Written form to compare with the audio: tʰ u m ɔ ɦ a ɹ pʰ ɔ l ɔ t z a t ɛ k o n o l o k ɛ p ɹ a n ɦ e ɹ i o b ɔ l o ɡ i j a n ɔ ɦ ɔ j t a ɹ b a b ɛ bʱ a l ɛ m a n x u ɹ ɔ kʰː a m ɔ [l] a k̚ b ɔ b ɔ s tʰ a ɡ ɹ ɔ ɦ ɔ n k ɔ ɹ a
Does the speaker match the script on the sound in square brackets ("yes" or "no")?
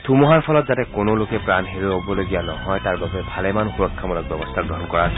yes